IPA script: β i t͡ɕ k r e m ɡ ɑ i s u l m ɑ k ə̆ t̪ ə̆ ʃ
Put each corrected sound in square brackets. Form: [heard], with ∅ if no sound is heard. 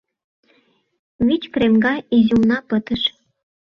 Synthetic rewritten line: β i t͡ɕ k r e m ɡ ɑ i [z] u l [n] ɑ [p] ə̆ t̪ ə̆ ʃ